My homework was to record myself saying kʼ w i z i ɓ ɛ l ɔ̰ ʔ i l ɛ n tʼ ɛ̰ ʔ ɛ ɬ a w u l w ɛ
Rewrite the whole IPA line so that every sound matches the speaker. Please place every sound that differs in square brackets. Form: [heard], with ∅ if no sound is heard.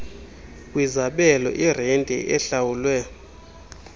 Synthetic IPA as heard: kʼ w i z [a] ɓ ɛ l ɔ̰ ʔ i [r] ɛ n tʼ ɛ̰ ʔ ɛ ɬ a w u l w ɛ